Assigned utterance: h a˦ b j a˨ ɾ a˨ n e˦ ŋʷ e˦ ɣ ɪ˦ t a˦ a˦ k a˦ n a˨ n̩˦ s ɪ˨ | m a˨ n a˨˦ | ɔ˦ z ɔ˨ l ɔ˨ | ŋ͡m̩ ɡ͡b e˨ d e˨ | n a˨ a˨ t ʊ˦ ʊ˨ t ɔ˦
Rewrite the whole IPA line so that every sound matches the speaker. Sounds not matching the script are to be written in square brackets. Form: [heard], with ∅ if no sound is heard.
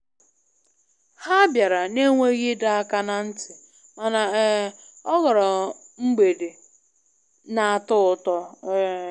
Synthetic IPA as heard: h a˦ b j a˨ ɾ a˨ n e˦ ŋʷ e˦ ɣ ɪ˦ [d] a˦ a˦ k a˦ n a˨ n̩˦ [t] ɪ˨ | m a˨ n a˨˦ | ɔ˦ [ɣ] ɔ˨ [ɾ] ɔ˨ | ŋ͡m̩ ɡ͡b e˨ d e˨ | n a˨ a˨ t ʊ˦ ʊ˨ t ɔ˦